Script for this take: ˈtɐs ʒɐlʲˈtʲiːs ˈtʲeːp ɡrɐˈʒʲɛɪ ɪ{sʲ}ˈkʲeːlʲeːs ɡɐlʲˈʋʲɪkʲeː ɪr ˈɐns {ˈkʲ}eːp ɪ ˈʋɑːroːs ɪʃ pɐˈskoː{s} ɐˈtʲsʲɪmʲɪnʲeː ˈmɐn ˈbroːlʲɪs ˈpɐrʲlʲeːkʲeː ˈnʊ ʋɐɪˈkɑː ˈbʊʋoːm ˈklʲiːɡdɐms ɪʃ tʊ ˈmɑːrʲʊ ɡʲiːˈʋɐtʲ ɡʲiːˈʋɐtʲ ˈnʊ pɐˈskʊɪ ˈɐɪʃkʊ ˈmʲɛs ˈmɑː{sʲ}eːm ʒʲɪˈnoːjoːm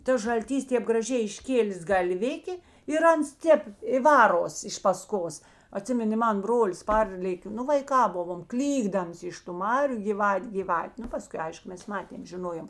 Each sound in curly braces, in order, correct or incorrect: incorrect, incorrect, correct, incorrect

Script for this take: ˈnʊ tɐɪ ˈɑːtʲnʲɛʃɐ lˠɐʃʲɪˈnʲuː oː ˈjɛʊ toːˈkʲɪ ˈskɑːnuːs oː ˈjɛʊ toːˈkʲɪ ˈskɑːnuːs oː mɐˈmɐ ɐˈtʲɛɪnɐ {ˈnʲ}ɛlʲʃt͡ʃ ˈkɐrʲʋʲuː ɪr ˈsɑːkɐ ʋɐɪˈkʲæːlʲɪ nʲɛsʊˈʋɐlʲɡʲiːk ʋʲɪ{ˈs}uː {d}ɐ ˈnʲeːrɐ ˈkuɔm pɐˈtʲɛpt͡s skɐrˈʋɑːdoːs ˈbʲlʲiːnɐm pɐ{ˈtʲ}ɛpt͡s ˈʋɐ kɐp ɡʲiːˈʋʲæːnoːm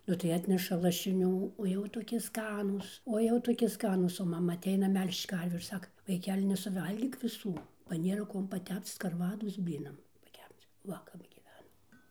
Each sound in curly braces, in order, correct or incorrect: incorrect, correct, incorrect, incorrect

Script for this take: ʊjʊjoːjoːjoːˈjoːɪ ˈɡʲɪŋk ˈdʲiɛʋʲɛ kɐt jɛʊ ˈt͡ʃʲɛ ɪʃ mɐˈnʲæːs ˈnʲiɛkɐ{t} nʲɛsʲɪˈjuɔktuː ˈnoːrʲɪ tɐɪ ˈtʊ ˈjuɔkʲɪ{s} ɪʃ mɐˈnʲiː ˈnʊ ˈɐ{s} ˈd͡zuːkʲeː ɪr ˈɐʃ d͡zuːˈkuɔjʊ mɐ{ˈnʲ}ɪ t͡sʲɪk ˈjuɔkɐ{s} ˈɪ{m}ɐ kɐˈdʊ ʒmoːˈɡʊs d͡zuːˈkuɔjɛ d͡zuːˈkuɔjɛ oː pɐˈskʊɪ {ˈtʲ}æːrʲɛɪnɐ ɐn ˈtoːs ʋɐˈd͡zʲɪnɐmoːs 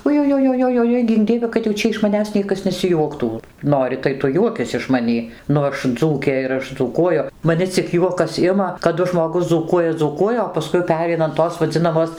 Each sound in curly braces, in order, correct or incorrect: incorrect, correct, incorrect, correct, correct, correct, incorrect

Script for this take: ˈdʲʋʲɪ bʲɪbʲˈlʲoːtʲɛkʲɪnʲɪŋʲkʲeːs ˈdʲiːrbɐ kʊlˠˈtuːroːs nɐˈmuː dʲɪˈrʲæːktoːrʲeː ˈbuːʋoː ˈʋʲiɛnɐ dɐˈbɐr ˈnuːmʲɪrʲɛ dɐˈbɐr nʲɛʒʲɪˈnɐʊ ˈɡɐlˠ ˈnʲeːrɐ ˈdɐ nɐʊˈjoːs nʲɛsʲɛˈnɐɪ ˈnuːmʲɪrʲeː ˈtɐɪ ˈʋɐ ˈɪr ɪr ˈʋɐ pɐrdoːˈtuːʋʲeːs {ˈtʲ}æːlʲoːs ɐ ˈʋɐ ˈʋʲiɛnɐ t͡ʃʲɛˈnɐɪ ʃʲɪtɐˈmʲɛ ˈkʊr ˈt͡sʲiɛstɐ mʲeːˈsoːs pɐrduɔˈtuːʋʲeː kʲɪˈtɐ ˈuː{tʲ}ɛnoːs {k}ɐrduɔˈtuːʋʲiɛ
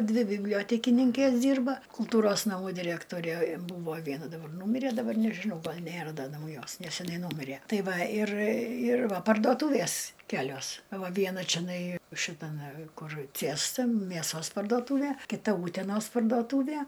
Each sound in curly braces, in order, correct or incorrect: incorrect, correct, incorrect

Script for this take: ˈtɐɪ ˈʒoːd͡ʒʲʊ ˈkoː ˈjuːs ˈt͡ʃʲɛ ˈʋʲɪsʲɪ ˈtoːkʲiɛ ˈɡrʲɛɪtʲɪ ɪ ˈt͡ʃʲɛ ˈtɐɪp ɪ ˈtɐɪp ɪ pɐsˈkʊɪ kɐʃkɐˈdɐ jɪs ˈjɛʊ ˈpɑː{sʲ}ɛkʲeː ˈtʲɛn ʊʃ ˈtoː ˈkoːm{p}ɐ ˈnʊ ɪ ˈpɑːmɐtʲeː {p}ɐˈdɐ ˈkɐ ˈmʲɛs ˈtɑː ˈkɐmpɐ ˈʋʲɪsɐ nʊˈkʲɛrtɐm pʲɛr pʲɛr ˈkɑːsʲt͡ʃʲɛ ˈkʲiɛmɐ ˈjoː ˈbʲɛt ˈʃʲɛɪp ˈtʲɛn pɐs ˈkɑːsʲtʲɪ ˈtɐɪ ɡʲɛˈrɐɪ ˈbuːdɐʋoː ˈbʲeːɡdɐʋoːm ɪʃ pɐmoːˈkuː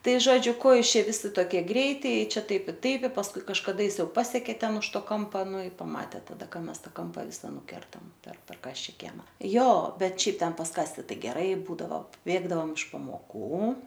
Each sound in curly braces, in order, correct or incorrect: correct, correct, incorrect

